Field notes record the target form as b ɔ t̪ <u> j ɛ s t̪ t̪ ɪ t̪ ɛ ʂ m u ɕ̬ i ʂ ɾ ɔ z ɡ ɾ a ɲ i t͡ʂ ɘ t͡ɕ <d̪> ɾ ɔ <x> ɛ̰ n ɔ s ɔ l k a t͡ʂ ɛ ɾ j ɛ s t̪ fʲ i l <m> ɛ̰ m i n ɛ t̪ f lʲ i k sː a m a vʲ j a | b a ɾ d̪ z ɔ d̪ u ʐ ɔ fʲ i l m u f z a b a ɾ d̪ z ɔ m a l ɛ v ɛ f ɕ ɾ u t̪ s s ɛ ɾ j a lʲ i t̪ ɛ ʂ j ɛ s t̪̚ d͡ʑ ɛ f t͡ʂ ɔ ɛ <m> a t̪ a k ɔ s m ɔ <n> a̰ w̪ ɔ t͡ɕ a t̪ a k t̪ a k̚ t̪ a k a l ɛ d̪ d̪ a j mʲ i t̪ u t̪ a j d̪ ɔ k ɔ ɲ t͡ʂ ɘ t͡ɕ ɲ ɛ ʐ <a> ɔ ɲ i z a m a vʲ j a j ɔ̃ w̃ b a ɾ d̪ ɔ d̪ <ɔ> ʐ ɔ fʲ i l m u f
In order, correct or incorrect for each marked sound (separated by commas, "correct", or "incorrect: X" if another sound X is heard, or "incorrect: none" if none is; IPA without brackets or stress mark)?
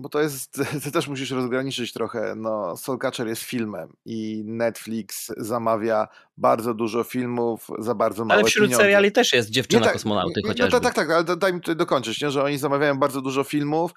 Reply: incorrect: ɔ, incorrect: t̪, correct, correct, incorrect: n, correct, incorrect: ɛ, incorrect: u